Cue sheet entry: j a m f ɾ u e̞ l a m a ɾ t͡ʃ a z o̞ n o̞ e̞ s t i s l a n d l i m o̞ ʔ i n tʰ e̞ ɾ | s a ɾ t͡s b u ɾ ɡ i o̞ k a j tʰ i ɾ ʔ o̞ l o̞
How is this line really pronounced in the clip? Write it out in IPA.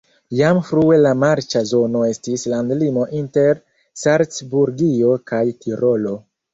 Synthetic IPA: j a m f ɾ u e̞ l a m a ɾ t͡ʃ a z o̞ n o̞ e̞ s t i s l a n d l i m o̞ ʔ i n t e̞ ɾ | s a ɾ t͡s b u ɾ ɡ i o̞ k a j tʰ i ɾ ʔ o̞ l o̞